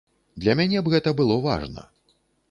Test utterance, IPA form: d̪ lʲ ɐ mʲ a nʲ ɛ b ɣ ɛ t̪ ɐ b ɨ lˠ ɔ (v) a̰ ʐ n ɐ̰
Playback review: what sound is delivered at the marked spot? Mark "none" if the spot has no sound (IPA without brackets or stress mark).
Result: v